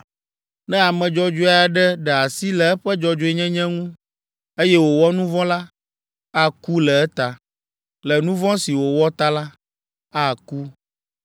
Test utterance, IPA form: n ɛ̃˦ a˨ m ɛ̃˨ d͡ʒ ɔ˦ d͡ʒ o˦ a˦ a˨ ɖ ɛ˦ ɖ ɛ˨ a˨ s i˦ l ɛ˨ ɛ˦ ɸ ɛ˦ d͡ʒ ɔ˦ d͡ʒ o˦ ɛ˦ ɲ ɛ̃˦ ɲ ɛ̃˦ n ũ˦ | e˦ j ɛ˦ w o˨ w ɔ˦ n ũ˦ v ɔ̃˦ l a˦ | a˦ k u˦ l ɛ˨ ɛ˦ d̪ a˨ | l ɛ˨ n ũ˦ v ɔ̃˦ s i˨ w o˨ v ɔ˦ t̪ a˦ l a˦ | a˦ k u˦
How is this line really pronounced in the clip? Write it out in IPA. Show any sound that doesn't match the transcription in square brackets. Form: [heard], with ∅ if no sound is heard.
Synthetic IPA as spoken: n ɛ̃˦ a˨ m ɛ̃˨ d͡ʒ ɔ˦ d͡ʒ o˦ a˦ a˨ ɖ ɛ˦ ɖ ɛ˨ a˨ s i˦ l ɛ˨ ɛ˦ ɸ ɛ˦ d͡ʒ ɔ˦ d͡ʒ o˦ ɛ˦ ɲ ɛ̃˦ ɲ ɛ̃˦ [ŋ] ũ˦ | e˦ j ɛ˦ w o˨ w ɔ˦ n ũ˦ v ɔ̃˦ l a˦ | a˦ k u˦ l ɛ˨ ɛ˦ [t̪] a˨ | l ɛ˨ n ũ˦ v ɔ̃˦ s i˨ w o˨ [w] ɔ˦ t̪ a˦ l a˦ | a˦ k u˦